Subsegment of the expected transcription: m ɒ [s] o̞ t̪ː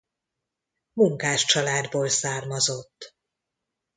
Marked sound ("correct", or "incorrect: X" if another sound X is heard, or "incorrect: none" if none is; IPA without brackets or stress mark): incorrect: z